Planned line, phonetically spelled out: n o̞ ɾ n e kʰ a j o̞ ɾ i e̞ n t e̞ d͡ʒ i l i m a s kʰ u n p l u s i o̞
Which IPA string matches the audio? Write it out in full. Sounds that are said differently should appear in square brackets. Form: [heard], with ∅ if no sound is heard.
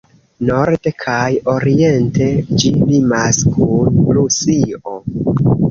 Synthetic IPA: n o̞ ɾ [d] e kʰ a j o̞ ɾ i e̞ n t e̞ d͡ʒ i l i m a s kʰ u n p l u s i o̞